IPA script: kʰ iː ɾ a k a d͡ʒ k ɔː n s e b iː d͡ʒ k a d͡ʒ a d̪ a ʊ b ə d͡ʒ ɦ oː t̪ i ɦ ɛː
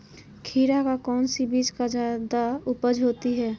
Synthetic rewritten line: kʰ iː ɾ a k a k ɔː n s i b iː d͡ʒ k a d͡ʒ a d̪ a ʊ p ə d͡ʒ ɦ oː t̪ i ɦ ɛː